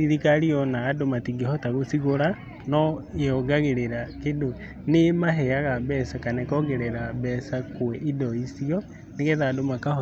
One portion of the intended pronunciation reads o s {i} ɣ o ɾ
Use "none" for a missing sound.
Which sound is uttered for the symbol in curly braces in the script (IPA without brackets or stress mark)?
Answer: i